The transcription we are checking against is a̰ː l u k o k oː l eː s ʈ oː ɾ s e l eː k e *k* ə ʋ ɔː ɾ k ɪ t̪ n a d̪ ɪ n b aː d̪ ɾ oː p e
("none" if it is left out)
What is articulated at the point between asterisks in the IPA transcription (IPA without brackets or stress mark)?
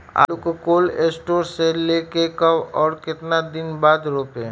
k